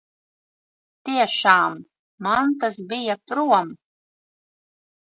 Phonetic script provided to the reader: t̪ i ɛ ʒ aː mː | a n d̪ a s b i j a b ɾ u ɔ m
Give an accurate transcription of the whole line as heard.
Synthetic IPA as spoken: t̪ i ɛ ʃ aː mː | a n t̪ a s b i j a p ɾ u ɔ m